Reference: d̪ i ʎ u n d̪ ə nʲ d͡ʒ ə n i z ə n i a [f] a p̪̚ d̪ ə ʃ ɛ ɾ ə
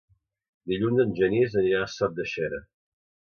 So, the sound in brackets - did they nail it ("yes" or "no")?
no